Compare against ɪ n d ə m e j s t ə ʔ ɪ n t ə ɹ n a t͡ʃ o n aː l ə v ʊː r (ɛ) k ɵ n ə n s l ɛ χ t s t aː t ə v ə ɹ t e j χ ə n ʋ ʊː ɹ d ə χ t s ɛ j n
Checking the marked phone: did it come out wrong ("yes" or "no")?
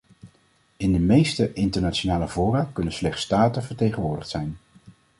yes